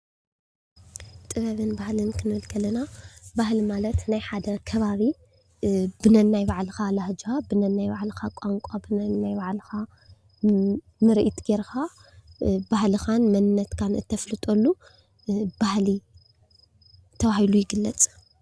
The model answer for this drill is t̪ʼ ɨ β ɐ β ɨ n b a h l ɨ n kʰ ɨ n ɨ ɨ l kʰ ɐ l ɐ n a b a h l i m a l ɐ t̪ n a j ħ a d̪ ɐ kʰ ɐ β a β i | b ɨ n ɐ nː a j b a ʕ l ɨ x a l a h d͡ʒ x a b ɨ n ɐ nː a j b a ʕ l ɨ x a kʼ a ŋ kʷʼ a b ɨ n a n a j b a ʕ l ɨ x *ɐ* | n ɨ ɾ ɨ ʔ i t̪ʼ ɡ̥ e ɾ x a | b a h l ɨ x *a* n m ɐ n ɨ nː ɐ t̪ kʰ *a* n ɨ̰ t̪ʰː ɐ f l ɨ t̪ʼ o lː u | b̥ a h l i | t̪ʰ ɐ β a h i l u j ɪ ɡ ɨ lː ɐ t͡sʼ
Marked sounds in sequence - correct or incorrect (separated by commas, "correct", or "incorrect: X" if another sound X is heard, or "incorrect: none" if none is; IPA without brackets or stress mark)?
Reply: incorrect: a, correct, correct